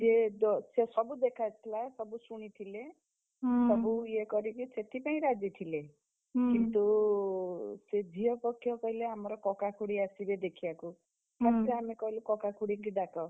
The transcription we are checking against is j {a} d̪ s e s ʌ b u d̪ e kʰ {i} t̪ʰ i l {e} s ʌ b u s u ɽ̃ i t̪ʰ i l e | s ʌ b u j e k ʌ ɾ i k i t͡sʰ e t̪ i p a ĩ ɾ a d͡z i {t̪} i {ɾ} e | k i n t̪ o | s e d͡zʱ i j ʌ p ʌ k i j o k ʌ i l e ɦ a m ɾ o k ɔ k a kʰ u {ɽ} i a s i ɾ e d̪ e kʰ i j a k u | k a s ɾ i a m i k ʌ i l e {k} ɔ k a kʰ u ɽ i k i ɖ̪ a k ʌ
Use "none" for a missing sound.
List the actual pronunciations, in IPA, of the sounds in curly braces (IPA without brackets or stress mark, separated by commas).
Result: e, a, a, t̪ʰ, l, ɽ, k